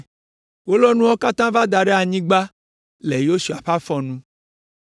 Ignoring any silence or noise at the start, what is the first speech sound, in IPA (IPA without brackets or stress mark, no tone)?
w